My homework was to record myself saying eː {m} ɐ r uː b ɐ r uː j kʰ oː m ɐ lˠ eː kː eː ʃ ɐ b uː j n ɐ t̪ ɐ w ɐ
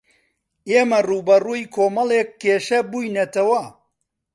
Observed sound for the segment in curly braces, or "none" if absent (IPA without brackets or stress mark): m